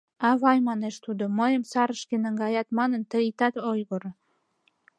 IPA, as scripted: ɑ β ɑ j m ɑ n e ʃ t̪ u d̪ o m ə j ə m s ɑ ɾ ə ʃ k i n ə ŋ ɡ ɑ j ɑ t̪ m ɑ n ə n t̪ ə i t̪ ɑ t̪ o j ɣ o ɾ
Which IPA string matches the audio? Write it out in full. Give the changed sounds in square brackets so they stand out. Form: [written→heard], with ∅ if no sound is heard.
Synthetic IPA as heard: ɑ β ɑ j m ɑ n e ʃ t̪ u d̪ o m ə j ə m s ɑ ɾ ə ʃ k [i→e] n ə ŋ ɡ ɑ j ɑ t̪ m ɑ n ə n t̪ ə i t̪ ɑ t̪ o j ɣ o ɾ